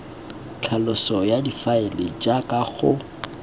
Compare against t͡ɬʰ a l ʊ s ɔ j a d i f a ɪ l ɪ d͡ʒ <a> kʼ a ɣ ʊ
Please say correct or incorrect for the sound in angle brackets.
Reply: correct